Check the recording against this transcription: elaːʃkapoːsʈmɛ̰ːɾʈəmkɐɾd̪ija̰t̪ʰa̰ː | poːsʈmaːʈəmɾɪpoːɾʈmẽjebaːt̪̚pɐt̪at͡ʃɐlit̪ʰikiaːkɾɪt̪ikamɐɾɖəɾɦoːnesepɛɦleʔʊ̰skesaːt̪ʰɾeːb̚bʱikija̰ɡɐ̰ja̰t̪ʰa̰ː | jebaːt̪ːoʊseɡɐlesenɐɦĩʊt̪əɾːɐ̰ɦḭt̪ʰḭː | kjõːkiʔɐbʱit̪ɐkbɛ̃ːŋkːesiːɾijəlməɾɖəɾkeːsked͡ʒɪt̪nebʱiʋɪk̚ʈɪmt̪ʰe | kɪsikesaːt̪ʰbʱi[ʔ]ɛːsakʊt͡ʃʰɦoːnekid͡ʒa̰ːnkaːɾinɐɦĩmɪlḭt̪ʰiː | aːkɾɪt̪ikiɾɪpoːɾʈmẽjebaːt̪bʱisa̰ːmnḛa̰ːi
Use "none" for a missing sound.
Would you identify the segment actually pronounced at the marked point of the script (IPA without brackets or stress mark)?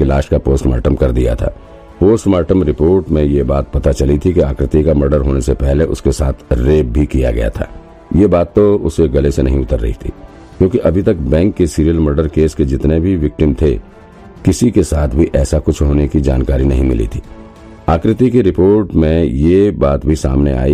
ʔ